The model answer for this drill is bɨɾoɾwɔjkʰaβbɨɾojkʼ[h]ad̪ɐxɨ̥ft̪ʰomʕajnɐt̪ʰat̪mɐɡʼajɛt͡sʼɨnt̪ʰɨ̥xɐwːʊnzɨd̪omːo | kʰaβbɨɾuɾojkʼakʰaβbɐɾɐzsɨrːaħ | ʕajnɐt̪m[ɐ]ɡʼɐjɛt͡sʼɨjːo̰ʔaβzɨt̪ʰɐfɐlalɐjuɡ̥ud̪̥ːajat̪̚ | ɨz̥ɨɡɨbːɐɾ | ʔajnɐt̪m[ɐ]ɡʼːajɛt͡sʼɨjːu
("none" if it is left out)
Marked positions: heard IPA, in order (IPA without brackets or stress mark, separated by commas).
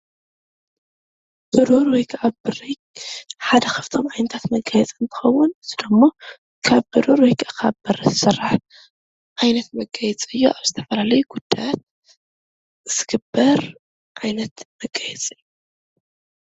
ħ, ɐ, ɐ